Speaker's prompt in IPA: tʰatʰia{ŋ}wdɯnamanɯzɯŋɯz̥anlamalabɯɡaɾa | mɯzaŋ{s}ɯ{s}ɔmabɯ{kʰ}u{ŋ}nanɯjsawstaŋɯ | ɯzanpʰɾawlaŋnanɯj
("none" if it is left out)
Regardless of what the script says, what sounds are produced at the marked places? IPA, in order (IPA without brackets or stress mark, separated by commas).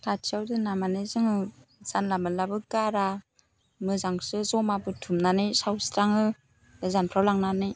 none, s, z, tʰ, m